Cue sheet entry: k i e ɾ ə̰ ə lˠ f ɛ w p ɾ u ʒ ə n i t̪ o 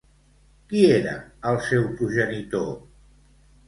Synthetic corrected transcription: k i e ɾ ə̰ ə lˠ s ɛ w p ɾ u ʒ ə n i t̪ o